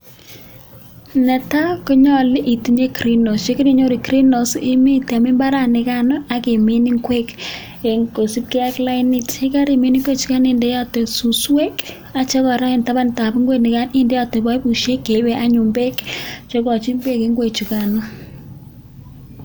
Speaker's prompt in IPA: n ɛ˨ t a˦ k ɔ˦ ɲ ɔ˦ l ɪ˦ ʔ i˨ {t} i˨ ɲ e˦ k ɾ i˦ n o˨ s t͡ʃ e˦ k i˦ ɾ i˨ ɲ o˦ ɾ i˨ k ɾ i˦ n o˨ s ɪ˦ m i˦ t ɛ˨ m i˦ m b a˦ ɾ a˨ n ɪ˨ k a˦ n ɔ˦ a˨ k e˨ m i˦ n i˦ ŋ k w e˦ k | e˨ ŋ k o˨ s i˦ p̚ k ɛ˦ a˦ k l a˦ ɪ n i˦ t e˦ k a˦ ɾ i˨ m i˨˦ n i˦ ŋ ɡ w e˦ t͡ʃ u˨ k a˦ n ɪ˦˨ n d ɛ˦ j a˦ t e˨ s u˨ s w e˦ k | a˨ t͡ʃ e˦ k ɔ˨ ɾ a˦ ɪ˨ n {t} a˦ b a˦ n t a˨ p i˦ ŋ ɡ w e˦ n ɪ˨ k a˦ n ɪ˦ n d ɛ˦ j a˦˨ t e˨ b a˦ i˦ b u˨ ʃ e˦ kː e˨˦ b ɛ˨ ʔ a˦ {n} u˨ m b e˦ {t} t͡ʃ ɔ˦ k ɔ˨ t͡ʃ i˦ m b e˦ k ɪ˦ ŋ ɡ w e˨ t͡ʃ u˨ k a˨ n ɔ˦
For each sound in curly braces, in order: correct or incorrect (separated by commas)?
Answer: correct, correct, incorrect, incorrect